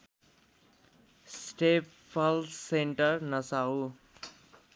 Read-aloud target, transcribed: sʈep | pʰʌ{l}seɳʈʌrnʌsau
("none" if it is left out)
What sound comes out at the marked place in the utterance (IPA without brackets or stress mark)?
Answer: l